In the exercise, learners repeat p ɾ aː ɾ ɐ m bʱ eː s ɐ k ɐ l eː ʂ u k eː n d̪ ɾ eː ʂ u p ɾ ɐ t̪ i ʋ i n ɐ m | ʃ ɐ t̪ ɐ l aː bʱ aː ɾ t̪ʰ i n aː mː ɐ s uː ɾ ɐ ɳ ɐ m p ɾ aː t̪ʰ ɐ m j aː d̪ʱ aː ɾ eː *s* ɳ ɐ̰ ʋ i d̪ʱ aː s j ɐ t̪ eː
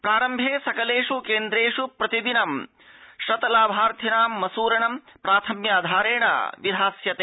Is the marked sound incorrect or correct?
incorrect